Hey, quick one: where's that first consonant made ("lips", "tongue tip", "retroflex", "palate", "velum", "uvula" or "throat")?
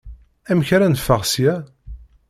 lips